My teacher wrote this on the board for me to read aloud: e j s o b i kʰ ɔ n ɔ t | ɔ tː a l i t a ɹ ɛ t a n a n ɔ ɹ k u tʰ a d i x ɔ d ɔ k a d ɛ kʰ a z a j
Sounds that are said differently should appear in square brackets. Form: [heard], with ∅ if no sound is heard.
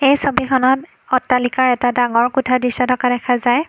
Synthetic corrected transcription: e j s o b i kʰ ɔ n ɔ t | ɔ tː a l i [k] a ɹ ɛ t a [d] a [ŋ] ɔ ɹ k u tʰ a d i [s] ɔ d ɔ k a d ɛ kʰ a z a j